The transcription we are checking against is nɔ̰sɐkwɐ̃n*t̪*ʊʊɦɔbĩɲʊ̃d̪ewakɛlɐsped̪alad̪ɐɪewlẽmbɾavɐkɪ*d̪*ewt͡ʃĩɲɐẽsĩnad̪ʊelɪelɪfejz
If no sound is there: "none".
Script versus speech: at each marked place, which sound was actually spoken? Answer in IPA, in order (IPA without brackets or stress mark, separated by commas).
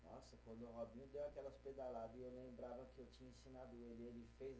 d̪, none